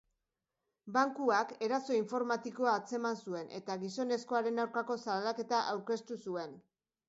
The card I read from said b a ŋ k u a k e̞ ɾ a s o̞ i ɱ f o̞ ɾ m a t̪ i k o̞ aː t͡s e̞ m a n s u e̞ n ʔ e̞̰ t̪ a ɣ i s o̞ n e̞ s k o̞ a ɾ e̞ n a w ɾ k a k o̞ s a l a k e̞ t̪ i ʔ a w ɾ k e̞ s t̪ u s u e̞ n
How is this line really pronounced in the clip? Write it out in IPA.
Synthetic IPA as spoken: b a ŋ k u a k e̞ ɾ a s o̞ i ɱ f o̞ ɾ m a t̪ i k o̞ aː t͡s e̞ m a n s u e̞ n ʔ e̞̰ t̪ a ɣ i s o̞ n e̞ s k o̞ a ɾ e̞ n a w ɾ k a k o̞ s a l a k e̞ t̪ a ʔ a w ɾ k e̞ s t̪ u s u e̞ n